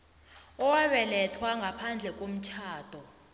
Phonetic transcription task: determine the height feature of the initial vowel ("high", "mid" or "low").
mid